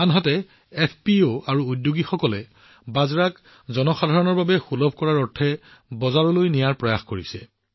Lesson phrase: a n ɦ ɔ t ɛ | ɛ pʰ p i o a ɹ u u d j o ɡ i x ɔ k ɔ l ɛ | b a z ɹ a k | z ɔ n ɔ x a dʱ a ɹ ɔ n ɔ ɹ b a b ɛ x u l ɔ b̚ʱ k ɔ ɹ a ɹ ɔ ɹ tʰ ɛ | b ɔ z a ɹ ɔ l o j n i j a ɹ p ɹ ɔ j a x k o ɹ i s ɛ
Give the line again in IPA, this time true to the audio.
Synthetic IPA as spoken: a n ɦ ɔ t ɛ | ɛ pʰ p i o a ɹ u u d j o ɡ i x ɔ k ɔ l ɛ | b a z ɹ a k | z ɔ n ɔ x a dʱ a ɹ ɔ n ɔ ɹ b a b ɛ x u l ɔ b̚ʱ k ɔ ɹ a ɹ ɔ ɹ tʰ ɛ | b ɔ z a ɹ ɔ l o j n i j a ɹ p ɹ ɔ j a x k o ɹ i s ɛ